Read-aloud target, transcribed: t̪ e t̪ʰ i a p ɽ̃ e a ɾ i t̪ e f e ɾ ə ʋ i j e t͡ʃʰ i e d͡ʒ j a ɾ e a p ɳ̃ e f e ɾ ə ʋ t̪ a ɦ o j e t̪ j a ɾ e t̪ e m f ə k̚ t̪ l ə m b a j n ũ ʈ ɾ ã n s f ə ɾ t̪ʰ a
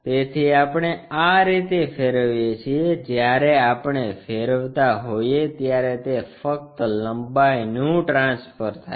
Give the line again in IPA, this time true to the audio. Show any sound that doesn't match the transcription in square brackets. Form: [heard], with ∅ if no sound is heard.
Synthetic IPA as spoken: t̪ e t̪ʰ i a p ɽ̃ e a ɾ i t̪ e f e ɾ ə ʋ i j e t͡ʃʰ i e d͡ʒ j a ɾ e a p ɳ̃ e f e ɾ ə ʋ t̪ a ɦ o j e t̪ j a ɾ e t̪ e [∅] f ə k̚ t̪ l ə m b a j n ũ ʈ ɾ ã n s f ə ɾ t̪ʰ a